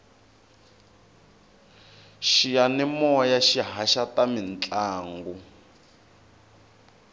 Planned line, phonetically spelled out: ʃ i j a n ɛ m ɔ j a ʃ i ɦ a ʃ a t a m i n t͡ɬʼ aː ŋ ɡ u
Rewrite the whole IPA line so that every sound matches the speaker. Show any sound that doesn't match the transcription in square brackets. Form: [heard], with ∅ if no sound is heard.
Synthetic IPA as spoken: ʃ i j a n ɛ m ɔ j a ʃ i ɦ a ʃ a t a m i n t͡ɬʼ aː ŋ ɡ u